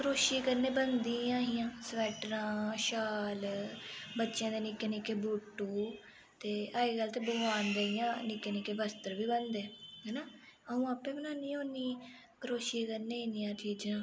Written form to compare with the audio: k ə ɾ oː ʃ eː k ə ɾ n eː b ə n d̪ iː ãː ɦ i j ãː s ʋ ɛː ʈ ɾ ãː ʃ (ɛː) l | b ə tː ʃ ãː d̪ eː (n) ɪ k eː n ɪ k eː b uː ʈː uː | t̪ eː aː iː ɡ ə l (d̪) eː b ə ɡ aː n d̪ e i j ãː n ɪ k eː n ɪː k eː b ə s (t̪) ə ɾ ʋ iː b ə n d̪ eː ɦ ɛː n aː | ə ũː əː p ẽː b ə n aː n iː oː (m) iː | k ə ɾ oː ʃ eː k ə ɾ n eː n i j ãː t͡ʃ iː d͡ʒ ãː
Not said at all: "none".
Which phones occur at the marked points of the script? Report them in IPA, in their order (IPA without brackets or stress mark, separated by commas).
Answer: aː, n, t̪, t̪, n